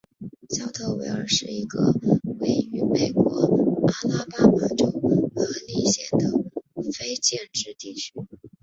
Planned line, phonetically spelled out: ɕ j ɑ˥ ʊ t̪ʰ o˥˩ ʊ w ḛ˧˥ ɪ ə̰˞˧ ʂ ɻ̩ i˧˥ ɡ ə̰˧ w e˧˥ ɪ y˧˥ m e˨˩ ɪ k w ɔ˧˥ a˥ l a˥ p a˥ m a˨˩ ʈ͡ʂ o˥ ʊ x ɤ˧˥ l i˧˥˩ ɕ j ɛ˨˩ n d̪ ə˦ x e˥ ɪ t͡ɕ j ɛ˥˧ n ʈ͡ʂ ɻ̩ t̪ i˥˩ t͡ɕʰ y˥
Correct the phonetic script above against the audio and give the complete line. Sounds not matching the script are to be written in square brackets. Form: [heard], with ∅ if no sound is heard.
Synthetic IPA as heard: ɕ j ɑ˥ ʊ t̪ʰ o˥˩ ʊ w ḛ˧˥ ɪ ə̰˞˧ ʂ ɻ̩ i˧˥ ɡ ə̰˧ w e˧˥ ɪ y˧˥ m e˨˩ ɪ k w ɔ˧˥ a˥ l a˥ p a˥ m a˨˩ ʈ͡ʂ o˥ ʊ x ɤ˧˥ l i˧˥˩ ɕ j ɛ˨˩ n d̪ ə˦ [f] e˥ ɪ t͡ɕ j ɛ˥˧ n ʈ͡ʂ ɻ̩ t̪ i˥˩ t͡ɕʰ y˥